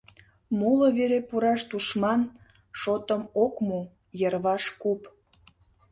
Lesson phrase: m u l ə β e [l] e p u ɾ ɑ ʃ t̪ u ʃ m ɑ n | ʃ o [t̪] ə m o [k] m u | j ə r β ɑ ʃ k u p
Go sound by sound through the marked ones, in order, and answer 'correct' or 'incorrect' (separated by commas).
incorrect, correct, correct